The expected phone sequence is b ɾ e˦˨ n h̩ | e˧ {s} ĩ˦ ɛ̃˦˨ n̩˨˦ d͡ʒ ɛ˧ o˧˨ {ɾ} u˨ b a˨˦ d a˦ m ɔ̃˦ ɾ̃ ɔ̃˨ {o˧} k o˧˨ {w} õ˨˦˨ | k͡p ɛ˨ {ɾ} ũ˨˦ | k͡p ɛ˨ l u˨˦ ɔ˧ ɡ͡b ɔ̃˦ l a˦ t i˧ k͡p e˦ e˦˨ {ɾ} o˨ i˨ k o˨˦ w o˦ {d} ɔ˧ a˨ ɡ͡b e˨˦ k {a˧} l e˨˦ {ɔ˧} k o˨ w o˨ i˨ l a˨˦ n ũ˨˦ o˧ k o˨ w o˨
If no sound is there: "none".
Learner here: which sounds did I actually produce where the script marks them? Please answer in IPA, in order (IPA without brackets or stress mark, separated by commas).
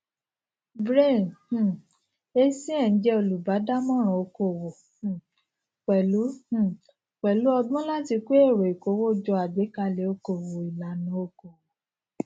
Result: s, l, o˧, w, l, ɾ, d͡ʒ, a˧, o˧